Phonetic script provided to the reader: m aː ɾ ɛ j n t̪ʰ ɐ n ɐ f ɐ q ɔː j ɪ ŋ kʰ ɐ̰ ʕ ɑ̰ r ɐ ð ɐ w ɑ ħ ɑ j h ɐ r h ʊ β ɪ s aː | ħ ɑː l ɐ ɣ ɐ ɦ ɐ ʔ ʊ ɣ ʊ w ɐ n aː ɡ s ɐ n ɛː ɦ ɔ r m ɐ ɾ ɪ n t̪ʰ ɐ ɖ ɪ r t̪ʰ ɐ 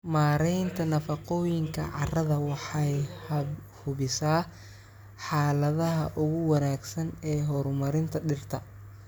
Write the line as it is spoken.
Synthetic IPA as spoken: m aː ɾ ɛ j n t̪ʰ ɐ n ɐ f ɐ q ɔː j ɪ ŋ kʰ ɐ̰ ʕ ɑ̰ r ɐ ð ɐ w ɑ ħ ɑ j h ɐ h ʊ β ɪ s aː | ħ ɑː l ɐ ð ɐ ɦ ɐ ʔ ʊ ɣ ʊ w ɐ n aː ɡ s ɐ n ɛː ɦ ɔ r m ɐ ɾ ɪ n t̪ʰ ɐ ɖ ɪ r t̪ʰ ɐ